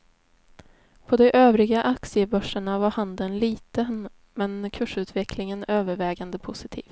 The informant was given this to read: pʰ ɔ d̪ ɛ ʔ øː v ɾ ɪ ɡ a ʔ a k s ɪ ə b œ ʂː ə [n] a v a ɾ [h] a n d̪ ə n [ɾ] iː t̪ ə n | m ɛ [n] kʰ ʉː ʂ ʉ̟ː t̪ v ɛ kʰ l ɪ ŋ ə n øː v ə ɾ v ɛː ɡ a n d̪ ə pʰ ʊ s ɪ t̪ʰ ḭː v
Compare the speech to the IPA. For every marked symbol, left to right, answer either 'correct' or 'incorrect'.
incorrect: ɳ, correct, incorrect: l, correct

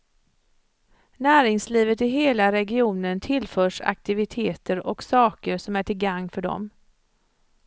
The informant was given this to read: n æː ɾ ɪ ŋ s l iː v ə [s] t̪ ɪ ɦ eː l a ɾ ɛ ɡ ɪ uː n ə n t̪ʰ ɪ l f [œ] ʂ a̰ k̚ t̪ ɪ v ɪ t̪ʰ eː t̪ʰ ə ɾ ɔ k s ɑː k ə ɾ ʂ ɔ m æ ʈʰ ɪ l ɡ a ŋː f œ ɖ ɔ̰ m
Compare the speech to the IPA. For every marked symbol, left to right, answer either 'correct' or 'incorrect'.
incorrect: none, incorrect: œː

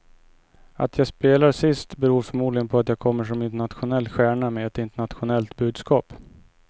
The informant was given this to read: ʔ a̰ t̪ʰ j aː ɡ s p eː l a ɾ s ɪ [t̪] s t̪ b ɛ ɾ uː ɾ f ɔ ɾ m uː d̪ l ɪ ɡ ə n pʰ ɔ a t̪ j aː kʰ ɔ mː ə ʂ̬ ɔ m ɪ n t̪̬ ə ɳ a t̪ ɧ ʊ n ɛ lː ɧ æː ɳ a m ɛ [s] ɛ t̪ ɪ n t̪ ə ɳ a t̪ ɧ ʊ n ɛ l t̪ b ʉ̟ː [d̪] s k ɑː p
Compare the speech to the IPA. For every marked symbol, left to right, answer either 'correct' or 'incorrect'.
incorrect: none, incorrect: none, correct

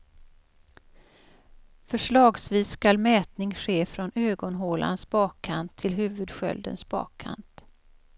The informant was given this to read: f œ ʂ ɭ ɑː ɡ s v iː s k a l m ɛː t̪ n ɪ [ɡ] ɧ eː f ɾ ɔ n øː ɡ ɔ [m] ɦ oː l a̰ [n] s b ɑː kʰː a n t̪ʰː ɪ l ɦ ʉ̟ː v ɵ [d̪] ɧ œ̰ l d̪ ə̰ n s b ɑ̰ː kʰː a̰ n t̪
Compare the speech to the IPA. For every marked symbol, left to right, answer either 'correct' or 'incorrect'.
incorrect: ŋ, incorrect: n, correct, correct

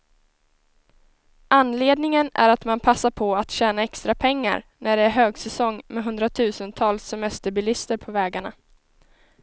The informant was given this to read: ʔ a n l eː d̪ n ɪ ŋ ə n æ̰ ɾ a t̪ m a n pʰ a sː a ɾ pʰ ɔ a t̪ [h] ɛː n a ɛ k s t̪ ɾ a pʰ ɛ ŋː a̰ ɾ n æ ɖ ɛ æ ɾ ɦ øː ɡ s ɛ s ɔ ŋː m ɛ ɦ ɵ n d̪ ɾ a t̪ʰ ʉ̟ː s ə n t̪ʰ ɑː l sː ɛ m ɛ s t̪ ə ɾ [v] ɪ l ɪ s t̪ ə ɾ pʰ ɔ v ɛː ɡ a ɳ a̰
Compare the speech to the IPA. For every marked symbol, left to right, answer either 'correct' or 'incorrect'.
incorrect: ɕ, incorrect: b

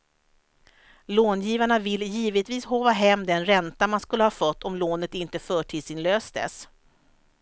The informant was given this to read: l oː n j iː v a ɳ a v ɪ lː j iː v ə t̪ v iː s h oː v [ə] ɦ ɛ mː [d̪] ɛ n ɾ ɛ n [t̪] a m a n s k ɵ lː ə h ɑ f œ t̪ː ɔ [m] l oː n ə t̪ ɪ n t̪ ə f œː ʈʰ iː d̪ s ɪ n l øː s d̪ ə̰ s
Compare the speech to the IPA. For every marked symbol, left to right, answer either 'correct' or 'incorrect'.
incorrect: a, correct, correct, correct

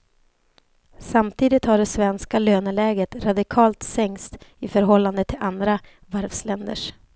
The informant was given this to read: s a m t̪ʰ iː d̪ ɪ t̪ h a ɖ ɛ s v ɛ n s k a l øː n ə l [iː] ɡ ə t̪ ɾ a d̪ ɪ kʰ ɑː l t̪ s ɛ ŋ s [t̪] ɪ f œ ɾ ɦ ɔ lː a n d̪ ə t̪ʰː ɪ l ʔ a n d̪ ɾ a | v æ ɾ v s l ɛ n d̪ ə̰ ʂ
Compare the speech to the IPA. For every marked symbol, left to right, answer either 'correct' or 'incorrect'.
incorrect: ɛː, correct

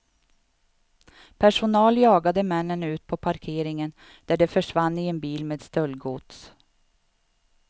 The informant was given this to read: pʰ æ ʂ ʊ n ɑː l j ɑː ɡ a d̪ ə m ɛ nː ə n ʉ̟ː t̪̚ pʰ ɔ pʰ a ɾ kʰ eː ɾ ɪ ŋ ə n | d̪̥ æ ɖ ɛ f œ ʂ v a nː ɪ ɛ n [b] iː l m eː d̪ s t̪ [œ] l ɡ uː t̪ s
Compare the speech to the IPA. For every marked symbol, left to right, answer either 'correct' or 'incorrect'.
correct, correct

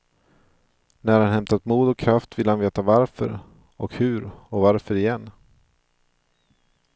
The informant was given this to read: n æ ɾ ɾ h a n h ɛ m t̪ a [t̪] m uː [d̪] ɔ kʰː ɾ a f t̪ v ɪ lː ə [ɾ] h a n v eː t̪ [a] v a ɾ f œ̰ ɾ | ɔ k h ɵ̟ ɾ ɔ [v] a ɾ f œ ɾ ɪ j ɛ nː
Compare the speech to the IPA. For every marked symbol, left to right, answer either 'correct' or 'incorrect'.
correct, correct, incorrect: none, correct, correct

